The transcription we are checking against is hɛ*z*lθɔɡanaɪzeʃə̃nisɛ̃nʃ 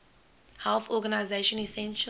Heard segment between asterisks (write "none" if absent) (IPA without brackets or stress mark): none